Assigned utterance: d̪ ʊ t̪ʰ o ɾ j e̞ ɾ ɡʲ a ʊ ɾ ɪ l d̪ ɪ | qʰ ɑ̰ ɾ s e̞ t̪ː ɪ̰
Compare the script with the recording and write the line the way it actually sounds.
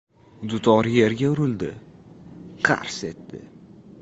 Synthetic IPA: d̪ ʊ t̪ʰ ɒ ɾ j e̞ ɾ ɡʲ a ʊ ɾ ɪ l d̪ ɪ | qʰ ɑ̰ ɾ s e̞ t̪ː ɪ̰

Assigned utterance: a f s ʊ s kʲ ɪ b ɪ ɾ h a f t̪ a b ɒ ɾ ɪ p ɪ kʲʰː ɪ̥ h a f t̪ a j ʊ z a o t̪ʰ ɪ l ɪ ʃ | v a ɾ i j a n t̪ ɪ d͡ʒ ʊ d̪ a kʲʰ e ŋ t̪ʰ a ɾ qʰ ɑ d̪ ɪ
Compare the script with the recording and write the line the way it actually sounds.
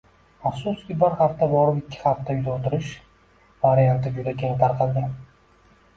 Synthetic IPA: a f s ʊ s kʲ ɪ b ɪ ɾ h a f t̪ a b ɒ ɾ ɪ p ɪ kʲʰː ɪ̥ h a f t̪ a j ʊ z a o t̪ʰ ɪ ɾ ɪ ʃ | v a ɾ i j a n t̪ ɪ d͡ʒ ʊ d̪ a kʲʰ e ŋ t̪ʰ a ɾ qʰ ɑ d̪ ɪ

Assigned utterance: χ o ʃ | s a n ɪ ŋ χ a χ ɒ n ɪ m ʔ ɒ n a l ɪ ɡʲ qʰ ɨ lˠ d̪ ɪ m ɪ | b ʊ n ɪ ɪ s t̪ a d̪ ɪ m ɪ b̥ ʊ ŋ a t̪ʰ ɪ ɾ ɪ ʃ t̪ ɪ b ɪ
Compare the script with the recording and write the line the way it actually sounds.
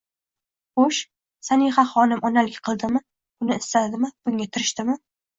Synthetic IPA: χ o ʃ | s a n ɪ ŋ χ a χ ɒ n ɪ m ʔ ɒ n a l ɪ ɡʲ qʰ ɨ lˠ d̪ ɪ m ɪ | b ʊ n ɪ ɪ s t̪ a d̪ ɪ m ɪ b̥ ʊ ŋ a t̪ʰ ɪ ɾ ɪ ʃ t̪ ɪ m ɪ

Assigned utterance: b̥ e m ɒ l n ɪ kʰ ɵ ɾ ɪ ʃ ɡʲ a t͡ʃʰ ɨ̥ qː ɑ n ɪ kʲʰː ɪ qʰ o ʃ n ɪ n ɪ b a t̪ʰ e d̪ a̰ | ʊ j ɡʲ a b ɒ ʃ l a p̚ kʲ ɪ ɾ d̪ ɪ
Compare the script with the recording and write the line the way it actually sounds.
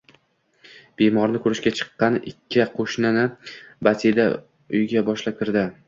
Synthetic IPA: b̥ e m ɒ ɾ n ɪ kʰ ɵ ɾ ɪ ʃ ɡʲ a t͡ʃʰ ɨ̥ qː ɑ n ɪ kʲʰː ɪ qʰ o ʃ n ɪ n ɪ b a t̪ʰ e d̪ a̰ | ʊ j ɡʲ a b ɒ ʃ l a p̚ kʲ ɪ ɾ d̪ ɪ

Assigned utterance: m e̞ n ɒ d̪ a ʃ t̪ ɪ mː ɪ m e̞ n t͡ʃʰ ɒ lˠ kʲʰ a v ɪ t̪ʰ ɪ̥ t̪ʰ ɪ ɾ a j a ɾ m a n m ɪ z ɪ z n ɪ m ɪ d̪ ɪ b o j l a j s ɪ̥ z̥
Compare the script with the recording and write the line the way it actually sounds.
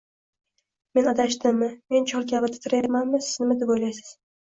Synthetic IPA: m e̞ n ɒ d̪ a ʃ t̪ ɪ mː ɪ m e̞ n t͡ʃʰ ɒ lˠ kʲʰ a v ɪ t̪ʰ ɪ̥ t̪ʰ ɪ ɾ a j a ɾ m a n m ɪ s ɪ z n ɪ m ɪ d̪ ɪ b o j l a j s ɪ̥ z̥

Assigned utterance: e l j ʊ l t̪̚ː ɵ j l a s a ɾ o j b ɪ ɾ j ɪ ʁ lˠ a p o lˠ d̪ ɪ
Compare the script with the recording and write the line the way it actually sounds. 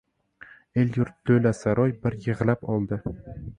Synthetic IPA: e l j ʊ ɾ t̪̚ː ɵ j l a s a ɾ ɒ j b ɪ ɾ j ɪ ʁ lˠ a p ɒ lˠ d̪ ɪ

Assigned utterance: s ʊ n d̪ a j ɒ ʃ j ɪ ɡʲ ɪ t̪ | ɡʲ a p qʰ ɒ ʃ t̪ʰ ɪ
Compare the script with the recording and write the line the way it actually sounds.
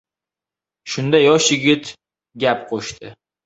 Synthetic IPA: ʃ ʊ n d̪ a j ɒ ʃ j ɪ ɡʲ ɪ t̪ | ɡʲ a p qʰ o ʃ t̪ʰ ɪ

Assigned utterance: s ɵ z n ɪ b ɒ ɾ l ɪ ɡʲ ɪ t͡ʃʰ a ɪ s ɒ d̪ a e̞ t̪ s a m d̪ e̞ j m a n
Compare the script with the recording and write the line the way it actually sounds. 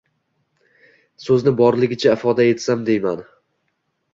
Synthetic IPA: s ɵ z n ɪ b ɒ ɾ l ɪ ɡʲ ɪ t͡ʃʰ a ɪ f ɒ d̪ a e̞ t̪ s a m d̪ e̞ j m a n

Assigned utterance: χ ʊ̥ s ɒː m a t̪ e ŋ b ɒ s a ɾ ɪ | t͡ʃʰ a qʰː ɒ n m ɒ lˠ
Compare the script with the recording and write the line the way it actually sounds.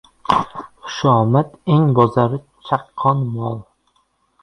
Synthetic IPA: χ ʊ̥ ʃ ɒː m a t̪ e ŋ b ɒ z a ɾ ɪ | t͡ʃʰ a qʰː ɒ n m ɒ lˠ

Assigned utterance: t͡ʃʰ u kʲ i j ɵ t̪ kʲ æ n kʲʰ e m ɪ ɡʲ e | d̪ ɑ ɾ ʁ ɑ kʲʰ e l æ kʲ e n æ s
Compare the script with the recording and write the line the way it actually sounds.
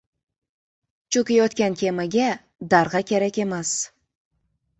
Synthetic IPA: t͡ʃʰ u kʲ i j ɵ t̪ kʲ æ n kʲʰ e m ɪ ɡʲ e | d̪ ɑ ɾ ʁ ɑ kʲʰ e ɾ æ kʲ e m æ s

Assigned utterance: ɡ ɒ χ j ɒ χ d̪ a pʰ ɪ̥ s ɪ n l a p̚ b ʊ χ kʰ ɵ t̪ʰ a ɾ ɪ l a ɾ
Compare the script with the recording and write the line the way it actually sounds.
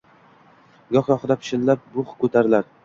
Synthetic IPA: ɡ ɒ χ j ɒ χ d̪ a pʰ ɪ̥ ʃ ɪ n l a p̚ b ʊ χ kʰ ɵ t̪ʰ a ɾ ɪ l a ɾ

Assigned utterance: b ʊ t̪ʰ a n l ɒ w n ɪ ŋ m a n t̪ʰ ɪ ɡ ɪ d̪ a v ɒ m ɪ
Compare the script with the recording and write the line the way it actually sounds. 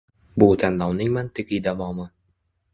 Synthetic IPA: b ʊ t̪ʰ a n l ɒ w n ɪ ŋ m a n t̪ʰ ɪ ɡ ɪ d̪ a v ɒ m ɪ

